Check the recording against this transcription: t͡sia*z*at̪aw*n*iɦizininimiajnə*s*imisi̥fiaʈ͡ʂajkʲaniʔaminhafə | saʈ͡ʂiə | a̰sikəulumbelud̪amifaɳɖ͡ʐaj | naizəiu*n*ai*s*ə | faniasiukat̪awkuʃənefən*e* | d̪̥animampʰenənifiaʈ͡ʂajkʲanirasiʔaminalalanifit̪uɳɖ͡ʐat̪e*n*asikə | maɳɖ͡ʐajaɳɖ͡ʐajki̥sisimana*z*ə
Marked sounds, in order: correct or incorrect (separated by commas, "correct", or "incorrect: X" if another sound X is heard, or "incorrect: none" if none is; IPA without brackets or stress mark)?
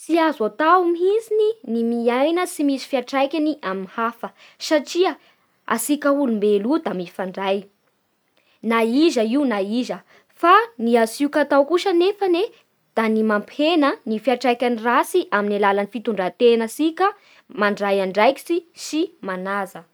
correct, incorrect: m, correct, correct, incorrect: z, correct, correct, correct